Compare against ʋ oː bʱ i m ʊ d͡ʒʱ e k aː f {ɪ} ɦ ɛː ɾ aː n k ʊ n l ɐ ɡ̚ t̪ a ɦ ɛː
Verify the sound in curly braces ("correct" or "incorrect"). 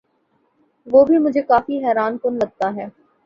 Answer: incorrect